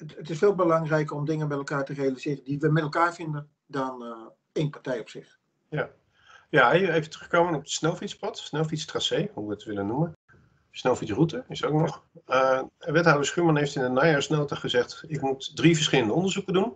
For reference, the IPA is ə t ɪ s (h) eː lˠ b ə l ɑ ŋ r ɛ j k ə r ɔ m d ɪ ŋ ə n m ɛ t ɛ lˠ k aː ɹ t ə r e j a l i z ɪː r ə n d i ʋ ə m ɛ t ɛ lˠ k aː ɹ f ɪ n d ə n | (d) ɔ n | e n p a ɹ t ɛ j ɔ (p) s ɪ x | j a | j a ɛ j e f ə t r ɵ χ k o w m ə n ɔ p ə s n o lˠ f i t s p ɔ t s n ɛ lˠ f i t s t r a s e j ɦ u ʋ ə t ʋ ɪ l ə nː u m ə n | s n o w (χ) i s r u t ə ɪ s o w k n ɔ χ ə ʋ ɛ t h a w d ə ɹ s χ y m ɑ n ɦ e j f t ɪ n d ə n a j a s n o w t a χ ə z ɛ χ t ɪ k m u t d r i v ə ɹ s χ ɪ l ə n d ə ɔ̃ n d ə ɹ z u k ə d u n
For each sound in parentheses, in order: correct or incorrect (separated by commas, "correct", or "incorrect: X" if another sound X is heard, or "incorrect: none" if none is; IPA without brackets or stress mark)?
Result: incorrect: f, correct, correct, incorrect: f